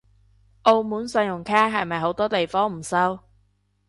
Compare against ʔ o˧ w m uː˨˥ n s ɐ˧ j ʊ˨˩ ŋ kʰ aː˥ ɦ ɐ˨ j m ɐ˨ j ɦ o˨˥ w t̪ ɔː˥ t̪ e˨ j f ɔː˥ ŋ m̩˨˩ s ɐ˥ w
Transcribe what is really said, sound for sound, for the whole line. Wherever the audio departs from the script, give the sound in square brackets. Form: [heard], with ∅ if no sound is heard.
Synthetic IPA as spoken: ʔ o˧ w m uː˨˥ n s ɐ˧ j ʊ˨˩ ŋ kʰ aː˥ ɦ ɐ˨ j m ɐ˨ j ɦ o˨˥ w t̪ ɔː˥ t̪ e˨ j f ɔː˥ ŋ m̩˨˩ s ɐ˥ w